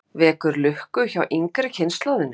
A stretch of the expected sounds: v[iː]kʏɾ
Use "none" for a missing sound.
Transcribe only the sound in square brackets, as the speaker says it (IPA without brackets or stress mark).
ɛː